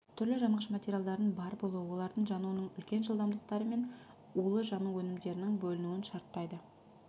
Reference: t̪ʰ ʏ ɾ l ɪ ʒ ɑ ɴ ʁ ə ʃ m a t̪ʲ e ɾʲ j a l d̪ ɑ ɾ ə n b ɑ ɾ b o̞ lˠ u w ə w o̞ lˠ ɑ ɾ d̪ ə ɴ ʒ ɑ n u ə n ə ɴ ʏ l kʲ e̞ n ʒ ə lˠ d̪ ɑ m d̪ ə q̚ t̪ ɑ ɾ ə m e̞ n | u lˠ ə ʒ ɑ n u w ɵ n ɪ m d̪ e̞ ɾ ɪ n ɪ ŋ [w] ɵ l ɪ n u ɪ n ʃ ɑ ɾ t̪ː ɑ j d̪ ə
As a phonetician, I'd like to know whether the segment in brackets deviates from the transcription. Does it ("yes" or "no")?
yes